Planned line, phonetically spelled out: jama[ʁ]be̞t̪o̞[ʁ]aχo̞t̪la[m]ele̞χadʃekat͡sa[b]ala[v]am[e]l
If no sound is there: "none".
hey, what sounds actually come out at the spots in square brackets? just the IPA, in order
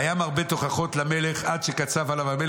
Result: ʁ, χ, m, v, v, e

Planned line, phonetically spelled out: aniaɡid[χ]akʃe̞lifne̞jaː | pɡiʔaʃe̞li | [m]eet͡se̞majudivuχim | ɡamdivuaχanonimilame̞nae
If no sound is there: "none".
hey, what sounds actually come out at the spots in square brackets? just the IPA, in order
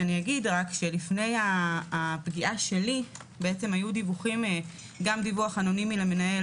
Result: ʁ, b

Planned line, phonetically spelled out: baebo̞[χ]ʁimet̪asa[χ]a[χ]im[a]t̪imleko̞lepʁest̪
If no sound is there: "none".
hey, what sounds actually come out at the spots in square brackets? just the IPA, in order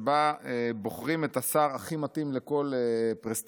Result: χ, ʁ, χ, a

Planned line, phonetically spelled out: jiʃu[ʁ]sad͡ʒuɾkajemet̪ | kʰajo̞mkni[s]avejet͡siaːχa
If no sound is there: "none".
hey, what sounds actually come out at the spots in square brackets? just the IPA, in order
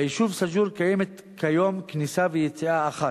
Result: v, s

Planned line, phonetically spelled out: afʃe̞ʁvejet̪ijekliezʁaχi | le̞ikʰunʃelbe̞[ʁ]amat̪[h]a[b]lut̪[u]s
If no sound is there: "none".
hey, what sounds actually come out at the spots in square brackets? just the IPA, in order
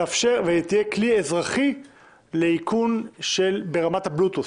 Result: ʁ, h, b, u

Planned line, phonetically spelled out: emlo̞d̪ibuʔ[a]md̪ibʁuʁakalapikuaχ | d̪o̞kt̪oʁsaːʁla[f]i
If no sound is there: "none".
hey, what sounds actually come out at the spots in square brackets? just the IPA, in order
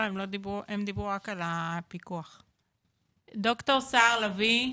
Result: e, v

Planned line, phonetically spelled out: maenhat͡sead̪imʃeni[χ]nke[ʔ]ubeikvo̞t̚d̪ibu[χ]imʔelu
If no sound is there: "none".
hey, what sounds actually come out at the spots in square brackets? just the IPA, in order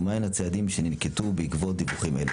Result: none, t, χ

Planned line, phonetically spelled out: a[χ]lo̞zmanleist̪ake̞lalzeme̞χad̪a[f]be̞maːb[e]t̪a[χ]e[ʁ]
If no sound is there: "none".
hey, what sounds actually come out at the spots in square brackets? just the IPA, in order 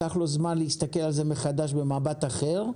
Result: χ, ʃ, a, χ, ʁ

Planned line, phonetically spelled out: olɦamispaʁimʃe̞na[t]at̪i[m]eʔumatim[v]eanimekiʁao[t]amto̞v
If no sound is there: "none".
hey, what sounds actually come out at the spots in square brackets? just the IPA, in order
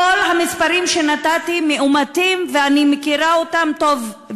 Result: t, m, v, t

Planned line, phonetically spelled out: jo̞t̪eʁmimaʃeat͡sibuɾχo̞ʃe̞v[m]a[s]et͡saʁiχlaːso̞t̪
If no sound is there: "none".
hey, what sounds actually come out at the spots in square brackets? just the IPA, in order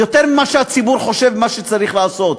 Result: m, ʃ

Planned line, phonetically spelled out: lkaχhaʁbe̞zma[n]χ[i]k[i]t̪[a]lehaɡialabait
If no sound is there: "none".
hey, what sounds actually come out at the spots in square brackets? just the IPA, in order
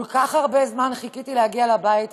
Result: n, i, i, i

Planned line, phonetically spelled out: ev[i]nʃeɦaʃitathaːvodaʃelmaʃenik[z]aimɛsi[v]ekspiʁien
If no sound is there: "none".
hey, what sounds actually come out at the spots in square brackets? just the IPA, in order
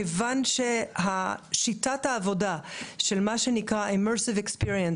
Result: a, ʁ, v

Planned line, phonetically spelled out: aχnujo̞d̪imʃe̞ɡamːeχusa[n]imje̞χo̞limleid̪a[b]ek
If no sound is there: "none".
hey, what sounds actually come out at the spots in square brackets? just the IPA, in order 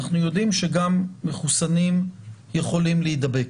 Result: n, b

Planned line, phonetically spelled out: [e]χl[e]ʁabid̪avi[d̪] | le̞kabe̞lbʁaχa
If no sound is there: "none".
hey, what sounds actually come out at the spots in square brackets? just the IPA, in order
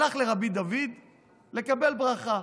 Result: a, e, d̪

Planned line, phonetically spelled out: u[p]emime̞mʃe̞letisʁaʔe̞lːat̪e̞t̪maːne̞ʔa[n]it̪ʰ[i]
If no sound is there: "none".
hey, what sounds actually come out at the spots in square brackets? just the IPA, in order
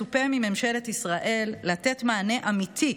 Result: p, m, i

